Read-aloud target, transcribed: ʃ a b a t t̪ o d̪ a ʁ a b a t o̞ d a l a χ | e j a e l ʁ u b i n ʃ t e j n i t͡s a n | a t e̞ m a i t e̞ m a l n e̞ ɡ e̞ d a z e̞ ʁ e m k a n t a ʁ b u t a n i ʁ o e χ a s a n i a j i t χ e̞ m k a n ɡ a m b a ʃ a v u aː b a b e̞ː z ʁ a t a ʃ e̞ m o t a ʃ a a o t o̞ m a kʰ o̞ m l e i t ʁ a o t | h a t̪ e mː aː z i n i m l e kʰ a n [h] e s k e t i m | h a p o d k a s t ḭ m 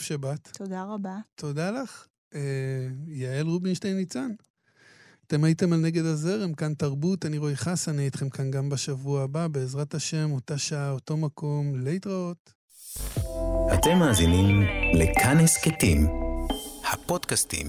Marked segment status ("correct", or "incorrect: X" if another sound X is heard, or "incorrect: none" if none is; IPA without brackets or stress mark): correct